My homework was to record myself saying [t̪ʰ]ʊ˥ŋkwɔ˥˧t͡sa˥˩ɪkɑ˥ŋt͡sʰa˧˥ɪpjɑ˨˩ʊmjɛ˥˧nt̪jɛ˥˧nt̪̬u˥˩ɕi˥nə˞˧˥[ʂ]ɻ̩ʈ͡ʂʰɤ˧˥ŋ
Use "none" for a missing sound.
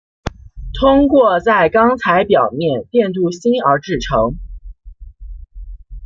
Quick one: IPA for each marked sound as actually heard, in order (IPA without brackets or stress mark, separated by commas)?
t̪ʰ, ʈ͡ʂ